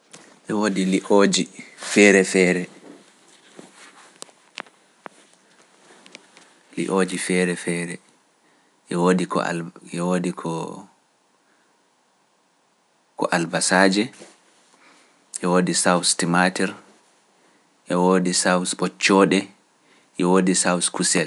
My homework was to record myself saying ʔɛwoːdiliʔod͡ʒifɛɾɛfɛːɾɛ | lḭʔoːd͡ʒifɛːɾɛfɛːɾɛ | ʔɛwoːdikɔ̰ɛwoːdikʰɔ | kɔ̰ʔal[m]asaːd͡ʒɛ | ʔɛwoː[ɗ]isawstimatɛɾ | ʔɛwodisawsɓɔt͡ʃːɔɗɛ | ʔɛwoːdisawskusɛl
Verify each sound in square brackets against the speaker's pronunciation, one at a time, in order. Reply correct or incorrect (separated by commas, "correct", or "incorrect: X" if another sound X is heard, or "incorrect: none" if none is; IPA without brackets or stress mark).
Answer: incorrect: b, incorrect: d